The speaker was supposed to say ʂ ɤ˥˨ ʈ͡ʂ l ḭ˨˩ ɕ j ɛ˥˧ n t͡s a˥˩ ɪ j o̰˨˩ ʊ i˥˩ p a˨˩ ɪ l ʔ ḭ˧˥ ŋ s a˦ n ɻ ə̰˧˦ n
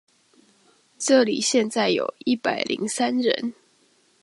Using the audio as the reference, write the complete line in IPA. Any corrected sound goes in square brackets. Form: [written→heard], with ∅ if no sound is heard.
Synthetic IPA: [ʂ→ʈ͡ʂ] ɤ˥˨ [ʈ͡ʂ→∅] l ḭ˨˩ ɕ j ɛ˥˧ n t͡s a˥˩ ɪ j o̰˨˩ ʊ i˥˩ p a˨˩ ɪ l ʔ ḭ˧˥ ŋ s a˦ n ɻ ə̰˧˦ n

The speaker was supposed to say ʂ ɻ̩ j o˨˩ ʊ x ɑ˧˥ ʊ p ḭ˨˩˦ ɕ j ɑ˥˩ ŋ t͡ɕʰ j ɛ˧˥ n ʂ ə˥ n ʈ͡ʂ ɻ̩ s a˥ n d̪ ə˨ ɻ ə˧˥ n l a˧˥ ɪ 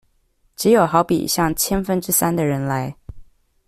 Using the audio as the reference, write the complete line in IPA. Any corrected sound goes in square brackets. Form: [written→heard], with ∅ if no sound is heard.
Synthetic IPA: [ʂ→ʈ͡ʂ] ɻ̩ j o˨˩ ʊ x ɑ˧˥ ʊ p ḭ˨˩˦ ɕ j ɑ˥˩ ŋ t͡ɕʰ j [ɛ˧˥→ɛ˥] n [ʂ→f] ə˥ n ʈ͡ʂ ɻ̩ s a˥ n d̪ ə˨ ɻ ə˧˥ n l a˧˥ ɪ

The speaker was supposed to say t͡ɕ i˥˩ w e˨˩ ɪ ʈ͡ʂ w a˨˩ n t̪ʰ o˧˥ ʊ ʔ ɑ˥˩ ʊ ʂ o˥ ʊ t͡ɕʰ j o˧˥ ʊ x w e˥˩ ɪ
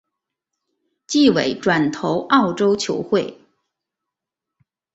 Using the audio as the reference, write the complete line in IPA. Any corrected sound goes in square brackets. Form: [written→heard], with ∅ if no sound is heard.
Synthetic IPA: t͡ɕ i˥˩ w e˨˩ ɪ ʈ͡ʂ w a˨˩ n t̪ʰ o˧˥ ʊ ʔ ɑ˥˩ ʊ [ʂ→ʈ͡ʂ] o˥ ʊ t͡ɕʰ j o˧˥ ʊ x w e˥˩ ɪ

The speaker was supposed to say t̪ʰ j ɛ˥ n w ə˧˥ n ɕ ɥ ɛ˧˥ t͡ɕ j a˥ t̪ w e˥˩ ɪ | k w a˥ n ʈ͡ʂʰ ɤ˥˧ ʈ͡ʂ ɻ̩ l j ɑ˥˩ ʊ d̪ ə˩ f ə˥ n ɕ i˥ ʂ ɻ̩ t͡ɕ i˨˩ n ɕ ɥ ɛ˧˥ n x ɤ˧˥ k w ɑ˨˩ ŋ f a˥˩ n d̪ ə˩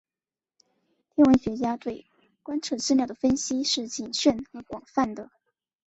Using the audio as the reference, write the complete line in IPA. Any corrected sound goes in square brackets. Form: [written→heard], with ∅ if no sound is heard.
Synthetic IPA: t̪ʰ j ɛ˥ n w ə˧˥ n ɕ ɥ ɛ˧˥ t͡ɕ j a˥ t̪ w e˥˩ ɪ | k w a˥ n ʈ͡ʂʰ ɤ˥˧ ʈ͡ʂ ɻ̩ l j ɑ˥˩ ʊ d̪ ə˩ f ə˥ n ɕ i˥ ʂ ɻ̩ t͡ɕ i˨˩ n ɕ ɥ [ɛ˧˥→ɛ˥˩] n x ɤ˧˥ k w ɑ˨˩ ŋ f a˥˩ n d̪ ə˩

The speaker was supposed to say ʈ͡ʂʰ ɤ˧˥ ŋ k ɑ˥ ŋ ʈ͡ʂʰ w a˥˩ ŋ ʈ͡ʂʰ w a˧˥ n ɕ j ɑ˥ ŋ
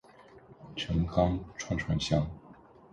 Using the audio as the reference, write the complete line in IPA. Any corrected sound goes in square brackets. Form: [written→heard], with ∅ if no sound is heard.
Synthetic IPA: ʈ͡ʂʰ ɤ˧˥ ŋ k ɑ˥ ŋ ʈ͡ʂʰ w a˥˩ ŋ ʈ͡ʂʰ w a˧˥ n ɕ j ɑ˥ ŋ

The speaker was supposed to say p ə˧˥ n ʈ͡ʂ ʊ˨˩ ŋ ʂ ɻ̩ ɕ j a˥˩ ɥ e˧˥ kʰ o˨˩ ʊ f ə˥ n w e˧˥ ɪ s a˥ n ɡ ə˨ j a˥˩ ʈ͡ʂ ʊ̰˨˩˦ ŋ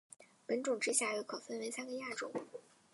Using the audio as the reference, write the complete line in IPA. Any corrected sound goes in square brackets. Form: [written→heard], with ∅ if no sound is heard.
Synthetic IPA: p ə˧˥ n ʈ͡ʂ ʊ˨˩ ŋ [ʂ→ʈ͡ʂ] ɻ̩ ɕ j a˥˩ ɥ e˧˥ kʰ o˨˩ ʊ f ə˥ n w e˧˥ ɪ s a˥ n ɡ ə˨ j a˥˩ ʈ͡ʂ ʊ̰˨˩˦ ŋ

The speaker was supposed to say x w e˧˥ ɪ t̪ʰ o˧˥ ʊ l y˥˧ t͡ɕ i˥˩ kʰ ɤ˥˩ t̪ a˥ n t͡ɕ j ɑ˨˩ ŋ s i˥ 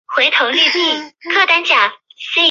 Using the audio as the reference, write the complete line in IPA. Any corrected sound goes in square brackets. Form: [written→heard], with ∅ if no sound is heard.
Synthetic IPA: x w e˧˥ ɪ t̪ʰ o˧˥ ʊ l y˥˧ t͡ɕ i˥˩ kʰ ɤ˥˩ t̪ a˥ n t͡ɕ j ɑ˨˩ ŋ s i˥

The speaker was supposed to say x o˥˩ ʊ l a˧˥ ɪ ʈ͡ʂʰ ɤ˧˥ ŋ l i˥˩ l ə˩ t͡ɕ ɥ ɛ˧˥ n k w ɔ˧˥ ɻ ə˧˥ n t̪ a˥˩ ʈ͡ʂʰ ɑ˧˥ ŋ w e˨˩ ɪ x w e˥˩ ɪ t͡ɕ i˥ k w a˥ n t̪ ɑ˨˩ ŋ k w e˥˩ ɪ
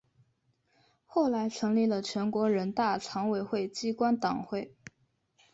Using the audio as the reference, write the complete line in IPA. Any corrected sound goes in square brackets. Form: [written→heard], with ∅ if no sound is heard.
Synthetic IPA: x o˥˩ ʊ l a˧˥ ɪ ʈ͡ʂʰ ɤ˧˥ ŋ l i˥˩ l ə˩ [t͡ɕ→t͡ɕʰ] ɥ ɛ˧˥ n k w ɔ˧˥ ɻ ə˧˥ n t̪ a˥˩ ʈ͡ʂʰ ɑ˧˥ ŋ w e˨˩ ɪ x w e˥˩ ɪ t͡ɕ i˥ k w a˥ n t̪ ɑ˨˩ ŋ [k→x] w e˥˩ ɪ

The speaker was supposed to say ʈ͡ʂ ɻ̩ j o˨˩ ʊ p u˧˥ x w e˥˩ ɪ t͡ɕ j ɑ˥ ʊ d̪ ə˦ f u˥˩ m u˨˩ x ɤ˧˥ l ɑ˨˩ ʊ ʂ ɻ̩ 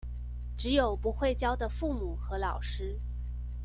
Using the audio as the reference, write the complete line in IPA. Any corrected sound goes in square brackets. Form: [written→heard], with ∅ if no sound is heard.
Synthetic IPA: ʈ͡ʂ ɻ̩ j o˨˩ ʊ p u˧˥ x w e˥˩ ɪ t͡ɕ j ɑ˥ ʊ d̪ [ə˦→ə˨] f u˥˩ m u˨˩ x ɤ˧˥ l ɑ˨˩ ʊ ʂ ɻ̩

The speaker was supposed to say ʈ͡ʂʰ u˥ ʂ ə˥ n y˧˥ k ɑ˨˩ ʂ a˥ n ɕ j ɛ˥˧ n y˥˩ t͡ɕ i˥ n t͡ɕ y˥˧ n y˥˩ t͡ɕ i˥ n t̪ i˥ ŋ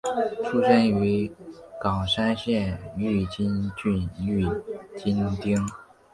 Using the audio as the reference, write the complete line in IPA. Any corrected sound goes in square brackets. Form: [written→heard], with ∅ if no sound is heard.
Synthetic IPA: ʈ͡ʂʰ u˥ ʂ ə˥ n y˧˥ k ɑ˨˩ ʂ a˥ n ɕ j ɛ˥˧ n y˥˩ t͡ɕ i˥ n t͡ɕ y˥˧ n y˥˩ t͡ɕ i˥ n t̪ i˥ ŋ

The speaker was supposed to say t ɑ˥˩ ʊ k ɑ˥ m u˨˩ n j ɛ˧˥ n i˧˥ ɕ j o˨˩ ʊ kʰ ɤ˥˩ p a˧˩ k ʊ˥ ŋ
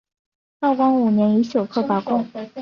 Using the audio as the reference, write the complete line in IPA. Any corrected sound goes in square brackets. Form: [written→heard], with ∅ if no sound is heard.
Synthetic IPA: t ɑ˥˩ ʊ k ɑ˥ [m→ŋ] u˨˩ n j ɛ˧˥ n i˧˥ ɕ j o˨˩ ʊ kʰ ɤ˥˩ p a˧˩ k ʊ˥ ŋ

